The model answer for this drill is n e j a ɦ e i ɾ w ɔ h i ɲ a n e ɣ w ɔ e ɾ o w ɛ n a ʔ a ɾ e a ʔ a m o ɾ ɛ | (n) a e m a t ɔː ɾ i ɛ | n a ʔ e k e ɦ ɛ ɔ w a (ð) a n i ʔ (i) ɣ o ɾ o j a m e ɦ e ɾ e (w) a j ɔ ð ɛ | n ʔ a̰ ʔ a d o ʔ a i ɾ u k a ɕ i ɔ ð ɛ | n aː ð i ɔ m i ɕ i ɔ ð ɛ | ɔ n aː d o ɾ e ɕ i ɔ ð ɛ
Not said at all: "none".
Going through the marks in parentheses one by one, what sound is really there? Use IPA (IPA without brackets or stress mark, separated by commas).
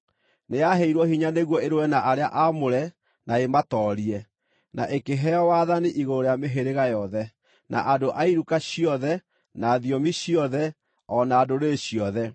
n, ð, i, ɣ